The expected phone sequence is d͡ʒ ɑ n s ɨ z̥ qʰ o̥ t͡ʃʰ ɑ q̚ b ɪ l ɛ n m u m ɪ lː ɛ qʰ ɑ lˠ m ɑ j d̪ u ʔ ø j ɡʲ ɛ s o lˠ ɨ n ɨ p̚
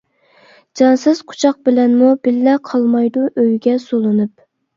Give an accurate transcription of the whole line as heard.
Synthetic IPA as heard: d͡ʒ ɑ n s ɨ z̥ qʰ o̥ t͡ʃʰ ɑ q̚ b ɪ l ɛ n m u b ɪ lː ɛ qʰ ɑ lˠ m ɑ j d̪ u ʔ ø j ɡʲ ɛ s o lˠ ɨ n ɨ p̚

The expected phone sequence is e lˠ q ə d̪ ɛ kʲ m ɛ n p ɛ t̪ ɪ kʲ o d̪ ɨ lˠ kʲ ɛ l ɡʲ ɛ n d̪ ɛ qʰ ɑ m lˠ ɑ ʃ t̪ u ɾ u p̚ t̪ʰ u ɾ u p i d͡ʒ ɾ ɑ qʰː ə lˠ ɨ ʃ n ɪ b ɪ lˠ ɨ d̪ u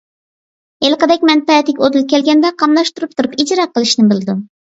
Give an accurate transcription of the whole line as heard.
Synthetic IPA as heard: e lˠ q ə d̪ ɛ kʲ m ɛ n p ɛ t̪ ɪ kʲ o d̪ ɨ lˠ kʲ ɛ l ɡʲ ɛ n d̪ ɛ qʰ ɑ m lˠ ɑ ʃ t̪ u ɾ u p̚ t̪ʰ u ɾ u p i d͡ʒ ɾ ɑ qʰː ə lˠ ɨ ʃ n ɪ b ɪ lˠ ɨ d̪ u

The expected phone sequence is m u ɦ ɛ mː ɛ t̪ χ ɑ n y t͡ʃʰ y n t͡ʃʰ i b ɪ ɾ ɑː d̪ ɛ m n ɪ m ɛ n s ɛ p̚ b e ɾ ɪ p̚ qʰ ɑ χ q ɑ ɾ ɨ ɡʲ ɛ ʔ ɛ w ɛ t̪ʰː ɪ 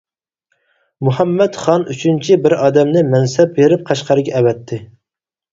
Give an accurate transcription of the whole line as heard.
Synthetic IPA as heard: m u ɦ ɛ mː ɛ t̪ χ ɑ n y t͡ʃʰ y n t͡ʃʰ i b ɪ ɾ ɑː d̪ ɛ m n ɪ m ɛ n s ɛ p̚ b e ɾ ɪ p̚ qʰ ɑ ʃ q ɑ ɾ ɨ ɡʲ ɛ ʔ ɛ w ɛ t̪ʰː ɪ

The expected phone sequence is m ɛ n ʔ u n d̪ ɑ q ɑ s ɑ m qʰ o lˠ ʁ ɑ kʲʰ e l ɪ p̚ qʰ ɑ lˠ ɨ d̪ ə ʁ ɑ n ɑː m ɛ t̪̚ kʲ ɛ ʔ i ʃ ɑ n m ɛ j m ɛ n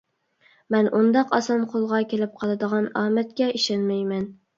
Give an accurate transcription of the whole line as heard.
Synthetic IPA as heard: m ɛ n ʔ u n d̪ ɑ q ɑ s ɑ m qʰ o lˠ ʁ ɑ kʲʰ e l ɪ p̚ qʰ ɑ lˠ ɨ d̪ ə ʁ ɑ n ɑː m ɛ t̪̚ kʲ ɛ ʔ i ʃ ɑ n m ɛ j m ɛ n

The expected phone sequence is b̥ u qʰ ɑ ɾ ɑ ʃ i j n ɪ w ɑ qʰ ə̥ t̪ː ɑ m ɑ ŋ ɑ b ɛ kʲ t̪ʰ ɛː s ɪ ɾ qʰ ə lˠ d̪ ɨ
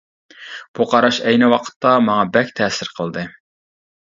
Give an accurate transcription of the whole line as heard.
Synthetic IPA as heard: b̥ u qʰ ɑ ɾ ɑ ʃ ɛ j n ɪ w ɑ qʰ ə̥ t̪ː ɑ m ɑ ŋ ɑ b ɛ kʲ t̪ʰ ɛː s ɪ ɾ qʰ ə lˠ d̪ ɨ

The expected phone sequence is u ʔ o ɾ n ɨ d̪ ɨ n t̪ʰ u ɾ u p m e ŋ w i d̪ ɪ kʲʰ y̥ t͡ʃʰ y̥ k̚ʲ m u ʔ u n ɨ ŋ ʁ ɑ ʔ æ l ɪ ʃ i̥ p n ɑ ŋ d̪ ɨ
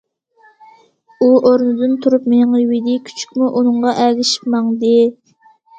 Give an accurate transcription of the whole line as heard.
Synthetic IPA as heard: u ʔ o ɾ n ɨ d̪ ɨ n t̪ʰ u ɾ u p m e ŋ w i d̪ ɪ kʲʰ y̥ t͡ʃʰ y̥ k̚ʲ m u ʔ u n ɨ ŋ ʁ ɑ ʔ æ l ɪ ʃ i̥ p m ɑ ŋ d̪ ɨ

